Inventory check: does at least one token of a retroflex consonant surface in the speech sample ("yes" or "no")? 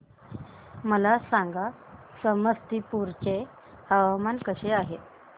no